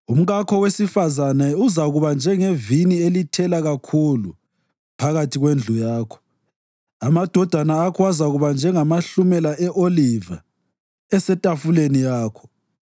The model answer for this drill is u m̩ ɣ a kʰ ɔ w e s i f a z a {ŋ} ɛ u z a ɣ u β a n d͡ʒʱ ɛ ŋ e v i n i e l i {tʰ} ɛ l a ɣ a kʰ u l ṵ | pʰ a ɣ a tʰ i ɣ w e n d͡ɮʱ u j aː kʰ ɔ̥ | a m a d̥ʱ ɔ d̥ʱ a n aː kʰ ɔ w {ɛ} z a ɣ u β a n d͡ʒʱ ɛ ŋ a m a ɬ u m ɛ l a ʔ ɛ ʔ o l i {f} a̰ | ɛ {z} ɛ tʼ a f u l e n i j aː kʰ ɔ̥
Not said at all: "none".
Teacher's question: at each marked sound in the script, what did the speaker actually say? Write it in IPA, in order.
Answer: n, tʰ, a, v, s

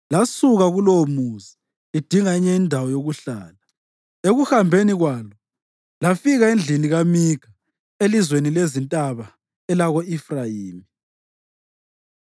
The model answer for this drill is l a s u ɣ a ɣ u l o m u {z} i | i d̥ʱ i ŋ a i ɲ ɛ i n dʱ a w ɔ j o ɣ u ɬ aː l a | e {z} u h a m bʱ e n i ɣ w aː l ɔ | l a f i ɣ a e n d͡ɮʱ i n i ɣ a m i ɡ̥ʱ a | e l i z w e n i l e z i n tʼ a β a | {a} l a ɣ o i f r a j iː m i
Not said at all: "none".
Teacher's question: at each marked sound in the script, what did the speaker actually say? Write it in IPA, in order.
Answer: z, ɣ, ɛ

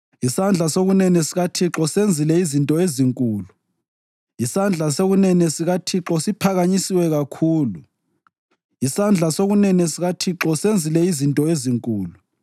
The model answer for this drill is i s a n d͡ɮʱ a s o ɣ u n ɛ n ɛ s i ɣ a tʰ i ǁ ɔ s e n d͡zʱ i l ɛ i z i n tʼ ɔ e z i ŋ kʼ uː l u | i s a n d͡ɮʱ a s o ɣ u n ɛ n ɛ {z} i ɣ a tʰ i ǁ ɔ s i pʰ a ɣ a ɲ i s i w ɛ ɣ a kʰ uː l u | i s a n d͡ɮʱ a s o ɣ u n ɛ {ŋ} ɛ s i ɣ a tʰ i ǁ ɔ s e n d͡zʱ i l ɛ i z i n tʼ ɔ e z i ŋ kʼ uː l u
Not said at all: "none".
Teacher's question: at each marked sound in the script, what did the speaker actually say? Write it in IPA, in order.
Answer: s, n

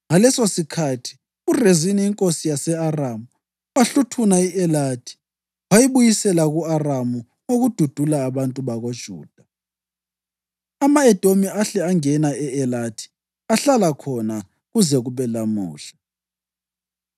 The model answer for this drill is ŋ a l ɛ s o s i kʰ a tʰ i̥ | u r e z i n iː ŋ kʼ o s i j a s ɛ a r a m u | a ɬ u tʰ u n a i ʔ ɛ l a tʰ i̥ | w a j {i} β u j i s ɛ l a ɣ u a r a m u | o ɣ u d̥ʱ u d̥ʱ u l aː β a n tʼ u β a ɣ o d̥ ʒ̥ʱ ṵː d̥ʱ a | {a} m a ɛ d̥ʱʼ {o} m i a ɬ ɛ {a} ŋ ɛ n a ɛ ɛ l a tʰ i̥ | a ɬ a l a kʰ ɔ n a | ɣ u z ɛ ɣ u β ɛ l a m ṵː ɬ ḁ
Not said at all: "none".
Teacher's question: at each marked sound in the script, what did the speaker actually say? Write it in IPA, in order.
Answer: i, a, o, a

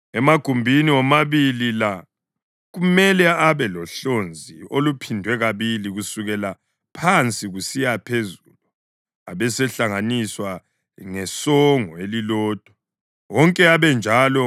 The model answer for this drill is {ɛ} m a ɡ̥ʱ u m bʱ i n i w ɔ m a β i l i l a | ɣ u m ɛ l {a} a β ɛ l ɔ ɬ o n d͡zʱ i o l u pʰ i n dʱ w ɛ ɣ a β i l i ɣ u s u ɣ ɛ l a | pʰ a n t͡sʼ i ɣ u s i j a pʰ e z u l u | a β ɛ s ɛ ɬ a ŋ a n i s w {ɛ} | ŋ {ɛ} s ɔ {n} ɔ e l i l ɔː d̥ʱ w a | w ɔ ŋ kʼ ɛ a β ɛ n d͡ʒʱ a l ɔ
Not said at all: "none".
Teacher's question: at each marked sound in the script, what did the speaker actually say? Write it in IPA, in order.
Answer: ɛ, ɛ, a, ɛ, ŋ

